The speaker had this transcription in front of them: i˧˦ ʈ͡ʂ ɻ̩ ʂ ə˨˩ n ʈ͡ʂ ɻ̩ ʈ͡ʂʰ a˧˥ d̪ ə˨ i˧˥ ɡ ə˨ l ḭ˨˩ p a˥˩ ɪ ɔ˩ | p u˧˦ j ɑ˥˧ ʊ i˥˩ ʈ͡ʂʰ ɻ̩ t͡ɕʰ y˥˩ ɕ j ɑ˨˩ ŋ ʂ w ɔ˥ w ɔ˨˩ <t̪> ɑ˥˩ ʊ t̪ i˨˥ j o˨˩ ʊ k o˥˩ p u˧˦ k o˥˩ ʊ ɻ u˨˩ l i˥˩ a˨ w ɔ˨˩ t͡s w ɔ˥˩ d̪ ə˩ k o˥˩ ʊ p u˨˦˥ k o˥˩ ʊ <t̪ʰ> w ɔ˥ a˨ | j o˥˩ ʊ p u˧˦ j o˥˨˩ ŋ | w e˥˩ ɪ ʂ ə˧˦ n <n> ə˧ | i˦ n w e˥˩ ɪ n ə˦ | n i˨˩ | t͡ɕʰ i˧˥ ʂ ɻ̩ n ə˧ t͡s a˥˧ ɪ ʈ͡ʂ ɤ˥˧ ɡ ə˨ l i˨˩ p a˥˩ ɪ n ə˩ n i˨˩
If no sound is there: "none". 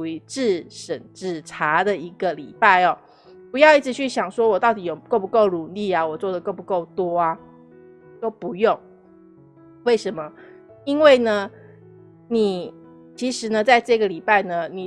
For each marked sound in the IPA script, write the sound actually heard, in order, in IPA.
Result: t̪, t̪, m

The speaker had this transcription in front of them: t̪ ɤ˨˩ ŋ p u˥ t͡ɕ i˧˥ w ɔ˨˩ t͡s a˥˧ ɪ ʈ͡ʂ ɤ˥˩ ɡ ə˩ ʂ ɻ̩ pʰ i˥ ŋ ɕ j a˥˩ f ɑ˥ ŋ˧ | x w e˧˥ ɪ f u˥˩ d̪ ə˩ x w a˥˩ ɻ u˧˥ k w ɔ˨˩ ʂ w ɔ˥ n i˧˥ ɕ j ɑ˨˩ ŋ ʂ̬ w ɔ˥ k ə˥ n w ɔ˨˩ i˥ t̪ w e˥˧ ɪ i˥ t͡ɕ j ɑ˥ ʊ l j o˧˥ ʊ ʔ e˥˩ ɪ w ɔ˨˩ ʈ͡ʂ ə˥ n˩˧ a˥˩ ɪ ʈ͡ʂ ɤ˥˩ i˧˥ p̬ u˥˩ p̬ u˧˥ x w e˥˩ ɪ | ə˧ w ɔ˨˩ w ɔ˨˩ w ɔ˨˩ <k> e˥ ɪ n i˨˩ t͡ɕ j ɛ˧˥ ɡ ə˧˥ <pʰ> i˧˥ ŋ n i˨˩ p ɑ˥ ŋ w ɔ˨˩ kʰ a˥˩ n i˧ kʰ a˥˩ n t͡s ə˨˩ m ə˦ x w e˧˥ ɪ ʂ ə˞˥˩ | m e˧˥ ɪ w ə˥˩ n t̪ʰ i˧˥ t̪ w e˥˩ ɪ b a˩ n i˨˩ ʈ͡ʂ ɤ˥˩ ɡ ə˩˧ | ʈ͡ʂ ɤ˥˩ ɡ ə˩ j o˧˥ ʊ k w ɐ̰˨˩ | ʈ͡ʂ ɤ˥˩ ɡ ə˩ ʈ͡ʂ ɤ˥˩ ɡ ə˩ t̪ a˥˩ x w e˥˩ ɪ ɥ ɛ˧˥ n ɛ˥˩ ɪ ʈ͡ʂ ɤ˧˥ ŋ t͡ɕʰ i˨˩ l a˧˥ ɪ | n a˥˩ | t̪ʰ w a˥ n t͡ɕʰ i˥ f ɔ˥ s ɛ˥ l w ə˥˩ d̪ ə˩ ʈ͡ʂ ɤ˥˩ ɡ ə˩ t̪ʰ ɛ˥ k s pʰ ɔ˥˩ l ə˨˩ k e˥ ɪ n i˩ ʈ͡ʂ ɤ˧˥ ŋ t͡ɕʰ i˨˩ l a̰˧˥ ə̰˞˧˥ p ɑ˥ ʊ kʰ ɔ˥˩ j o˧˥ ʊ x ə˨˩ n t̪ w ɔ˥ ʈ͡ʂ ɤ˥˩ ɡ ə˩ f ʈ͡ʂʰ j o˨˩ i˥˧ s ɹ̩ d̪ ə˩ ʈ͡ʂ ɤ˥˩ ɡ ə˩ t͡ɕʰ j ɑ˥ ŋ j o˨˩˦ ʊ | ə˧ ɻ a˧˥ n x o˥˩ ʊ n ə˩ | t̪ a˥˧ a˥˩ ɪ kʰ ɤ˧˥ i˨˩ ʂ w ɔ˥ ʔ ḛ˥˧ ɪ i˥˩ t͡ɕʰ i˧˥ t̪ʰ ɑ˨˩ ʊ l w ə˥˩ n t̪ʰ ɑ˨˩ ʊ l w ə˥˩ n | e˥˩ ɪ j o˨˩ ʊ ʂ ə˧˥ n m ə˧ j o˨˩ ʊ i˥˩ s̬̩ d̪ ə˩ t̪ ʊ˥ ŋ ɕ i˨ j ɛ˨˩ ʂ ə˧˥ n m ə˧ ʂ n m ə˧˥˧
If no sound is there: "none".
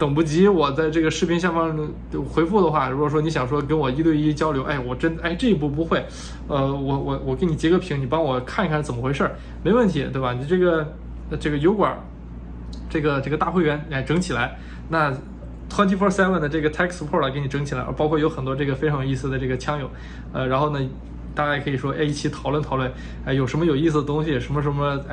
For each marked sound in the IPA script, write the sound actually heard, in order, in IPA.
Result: k, pʰ

